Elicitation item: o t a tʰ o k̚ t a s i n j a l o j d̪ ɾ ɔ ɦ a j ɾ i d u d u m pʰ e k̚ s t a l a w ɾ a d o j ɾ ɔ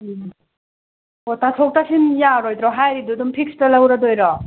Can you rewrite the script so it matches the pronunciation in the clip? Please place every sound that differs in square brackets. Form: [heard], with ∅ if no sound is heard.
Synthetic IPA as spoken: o t a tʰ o k̚ t a s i n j a [ɾ] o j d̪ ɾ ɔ ɦ a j ɾ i d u d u m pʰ [i] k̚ s t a l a w ɾ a d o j ɾ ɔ